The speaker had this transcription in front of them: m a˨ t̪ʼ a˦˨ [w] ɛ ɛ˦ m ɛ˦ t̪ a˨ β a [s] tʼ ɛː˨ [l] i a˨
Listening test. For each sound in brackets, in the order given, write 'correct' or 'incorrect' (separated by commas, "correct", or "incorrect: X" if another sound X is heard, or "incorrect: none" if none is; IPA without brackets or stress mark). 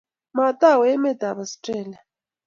correct, correct, correct